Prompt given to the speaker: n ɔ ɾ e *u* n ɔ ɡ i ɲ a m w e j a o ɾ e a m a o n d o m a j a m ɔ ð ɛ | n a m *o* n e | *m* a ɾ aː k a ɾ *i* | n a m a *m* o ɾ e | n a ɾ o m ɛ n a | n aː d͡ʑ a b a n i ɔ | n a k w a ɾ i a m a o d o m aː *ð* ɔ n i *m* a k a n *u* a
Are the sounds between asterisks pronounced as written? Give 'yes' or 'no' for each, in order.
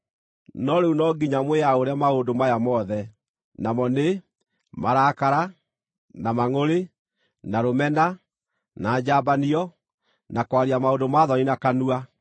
yes, no, yes, no, no, yes, no, yes

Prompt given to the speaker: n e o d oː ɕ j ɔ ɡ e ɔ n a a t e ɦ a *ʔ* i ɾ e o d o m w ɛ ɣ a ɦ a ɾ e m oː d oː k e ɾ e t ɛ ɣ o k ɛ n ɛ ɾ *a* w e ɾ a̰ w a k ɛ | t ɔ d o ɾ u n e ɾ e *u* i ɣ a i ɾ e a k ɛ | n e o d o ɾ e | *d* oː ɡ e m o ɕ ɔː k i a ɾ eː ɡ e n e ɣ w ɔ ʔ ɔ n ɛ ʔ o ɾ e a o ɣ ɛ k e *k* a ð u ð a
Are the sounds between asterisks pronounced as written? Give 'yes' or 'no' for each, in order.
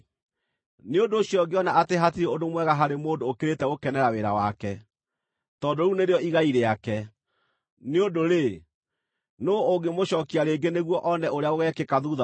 no, yes, no, no, yes

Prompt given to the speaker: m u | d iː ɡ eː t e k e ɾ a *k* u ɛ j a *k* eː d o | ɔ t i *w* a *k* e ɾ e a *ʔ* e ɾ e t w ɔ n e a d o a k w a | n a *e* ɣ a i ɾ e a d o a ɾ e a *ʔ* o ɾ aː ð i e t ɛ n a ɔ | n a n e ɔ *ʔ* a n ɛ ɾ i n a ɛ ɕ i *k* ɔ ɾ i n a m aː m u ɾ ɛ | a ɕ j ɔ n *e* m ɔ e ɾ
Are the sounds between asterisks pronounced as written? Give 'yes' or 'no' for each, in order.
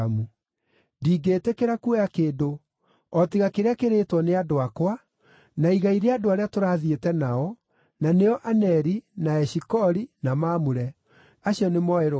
yes, yes, no, yes, no, no, no, yes, yes, yes

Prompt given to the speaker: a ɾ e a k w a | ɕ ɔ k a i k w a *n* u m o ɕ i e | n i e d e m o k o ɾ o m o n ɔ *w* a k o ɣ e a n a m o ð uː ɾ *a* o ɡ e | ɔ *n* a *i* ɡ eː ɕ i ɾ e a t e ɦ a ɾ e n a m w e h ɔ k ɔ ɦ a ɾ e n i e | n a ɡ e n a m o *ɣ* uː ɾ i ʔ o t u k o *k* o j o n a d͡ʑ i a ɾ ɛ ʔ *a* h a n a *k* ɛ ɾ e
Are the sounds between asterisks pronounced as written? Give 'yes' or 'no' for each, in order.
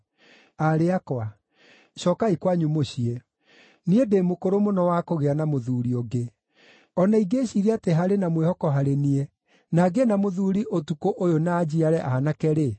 no, yes, no, yes, yes, no, no, yes, yes

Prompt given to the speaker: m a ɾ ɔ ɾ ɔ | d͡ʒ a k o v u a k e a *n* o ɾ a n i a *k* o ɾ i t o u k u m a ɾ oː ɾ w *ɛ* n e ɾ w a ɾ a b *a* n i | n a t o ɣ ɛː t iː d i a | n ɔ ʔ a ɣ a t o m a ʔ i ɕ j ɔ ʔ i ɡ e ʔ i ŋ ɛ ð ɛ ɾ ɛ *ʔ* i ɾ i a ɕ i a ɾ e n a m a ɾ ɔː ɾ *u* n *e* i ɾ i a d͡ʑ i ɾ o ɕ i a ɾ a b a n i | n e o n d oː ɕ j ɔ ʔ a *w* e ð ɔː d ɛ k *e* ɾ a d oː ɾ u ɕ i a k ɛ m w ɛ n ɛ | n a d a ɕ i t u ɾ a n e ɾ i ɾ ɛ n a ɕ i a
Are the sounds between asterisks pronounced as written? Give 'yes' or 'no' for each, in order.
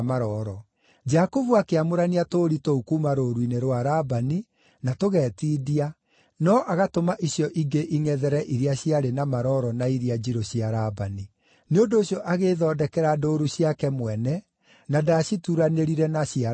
no, no, no, yes, yes, no, no, no, no

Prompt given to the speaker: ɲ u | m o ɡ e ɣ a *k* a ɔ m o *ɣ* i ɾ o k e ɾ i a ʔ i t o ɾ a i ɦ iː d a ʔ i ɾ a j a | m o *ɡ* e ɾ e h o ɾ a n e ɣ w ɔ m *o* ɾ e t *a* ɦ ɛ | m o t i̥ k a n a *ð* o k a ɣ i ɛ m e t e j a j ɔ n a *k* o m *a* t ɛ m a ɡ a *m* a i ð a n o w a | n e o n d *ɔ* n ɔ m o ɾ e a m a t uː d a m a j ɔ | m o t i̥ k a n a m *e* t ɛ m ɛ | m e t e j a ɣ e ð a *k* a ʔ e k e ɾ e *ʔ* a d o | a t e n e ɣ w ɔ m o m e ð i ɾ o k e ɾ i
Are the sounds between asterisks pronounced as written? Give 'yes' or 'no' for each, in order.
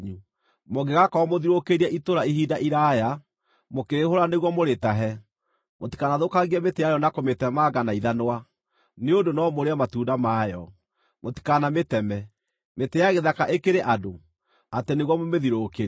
yes, no, no, yes, yes, yes, yes, no, no, no, yes, yes, yes

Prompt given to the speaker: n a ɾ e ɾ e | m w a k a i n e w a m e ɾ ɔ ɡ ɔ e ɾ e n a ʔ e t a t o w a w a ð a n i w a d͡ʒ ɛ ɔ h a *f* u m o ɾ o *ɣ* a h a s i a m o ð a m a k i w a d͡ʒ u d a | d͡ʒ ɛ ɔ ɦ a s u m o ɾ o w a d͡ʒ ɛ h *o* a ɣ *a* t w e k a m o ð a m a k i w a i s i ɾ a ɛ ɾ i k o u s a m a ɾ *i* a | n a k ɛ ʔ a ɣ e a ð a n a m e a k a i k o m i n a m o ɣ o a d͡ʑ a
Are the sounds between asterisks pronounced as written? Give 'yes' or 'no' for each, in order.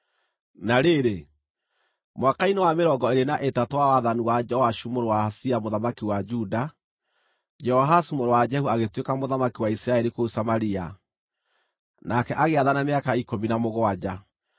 no, no, no, no, yes

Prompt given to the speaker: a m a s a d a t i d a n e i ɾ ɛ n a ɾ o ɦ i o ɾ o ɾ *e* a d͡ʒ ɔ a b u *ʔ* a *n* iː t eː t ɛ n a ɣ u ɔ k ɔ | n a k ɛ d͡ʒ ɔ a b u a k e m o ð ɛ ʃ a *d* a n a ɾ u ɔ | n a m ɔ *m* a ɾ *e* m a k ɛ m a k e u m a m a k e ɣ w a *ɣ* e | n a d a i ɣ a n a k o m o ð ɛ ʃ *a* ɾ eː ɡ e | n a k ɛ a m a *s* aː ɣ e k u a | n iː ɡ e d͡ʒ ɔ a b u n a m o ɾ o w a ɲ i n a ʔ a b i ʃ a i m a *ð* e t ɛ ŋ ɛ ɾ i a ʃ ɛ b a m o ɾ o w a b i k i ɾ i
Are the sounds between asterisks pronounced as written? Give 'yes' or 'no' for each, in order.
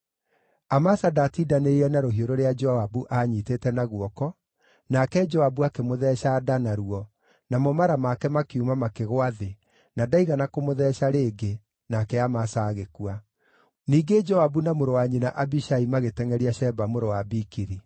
yes, yes, no, yes, yes, no, no, yes, yes, no

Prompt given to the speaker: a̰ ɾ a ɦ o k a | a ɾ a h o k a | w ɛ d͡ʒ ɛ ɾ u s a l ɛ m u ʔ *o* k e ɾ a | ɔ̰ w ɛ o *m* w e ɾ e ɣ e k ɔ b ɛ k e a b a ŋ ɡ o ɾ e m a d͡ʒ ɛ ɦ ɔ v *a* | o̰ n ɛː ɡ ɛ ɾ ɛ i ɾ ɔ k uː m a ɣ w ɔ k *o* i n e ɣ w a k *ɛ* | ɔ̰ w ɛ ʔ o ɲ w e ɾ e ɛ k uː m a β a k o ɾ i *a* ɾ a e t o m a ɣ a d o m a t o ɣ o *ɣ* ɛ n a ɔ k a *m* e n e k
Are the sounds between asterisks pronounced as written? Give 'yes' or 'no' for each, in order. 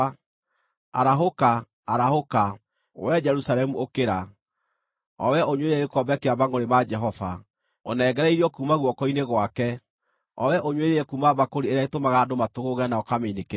yes, no, yes, no, yes, no, yes, yes

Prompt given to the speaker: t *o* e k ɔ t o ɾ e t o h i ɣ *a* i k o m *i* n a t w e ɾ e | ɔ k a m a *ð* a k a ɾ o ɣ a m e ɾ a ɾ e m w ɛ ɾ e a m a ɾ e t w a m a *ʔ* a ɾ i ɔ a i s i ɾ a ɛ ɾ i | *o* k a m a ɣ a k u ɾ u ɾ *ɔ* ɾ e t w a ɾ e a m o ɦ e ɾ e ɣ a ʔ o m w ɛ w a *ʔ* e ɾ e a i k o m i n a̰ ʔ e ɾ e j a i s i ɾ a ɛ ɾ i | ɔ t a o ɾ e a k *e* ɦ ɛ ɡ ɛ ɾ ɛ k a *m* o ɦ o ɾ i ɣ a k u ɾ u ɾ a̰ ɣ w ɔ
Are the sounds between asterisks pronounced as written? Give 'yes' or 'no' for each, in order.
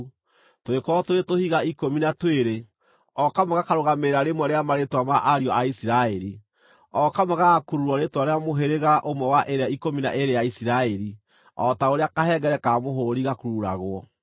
yes, yes, yes, no, yes, no, yes, yes, no, yes

